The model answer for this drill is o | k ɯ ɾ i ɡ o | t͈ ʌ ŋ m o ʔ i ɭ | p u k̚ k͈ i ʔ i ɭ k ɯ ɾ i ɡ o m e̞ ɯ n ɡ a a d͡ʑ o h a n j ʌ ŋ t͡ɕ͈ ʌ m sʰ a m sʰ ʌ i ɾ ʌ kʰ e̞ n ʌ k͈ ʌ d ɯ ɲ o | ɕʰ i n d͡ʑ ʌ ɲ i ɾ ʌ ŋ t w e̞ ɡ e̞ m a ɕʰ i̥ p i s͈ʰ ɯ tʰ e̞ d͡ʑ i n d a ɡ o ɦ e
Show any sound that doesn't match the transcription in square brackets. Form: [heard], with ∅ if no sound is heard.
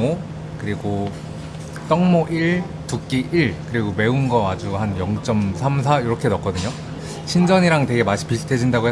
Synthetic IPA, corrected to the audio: o | k ɯ ɾ i ɡ o | t͈ ʌ ŋ m o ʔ i ɭ | [t] u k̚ k͈ i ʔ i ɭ k ɯ ɾ i ɡ o m e̞ [u] n ɡ [ʌ] a d͡ʑ [u] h a n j ʌ ŋ t͡ɕ͈ ʌ m sʰ a m sʰ [a] i ɾ ʌ kʰ e̞ n ʌ k͈ ʌ d ɯ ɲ o | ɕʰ i n d͡ʑ ʌ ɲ i ɾ [a] ŋ t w e̞ ɡ e̞ m a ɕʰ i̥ p i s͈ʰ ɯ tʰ e̞ d͡ʑ i n d a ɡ o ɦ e